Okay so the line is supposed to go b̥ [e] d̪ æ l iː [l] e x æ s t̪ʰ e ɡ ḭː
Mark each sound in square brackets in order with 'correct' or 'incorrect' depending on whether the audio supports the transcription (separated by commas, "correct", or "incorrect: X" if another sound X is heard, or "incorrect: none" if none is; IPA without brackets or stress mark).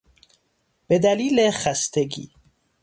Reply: correct, correct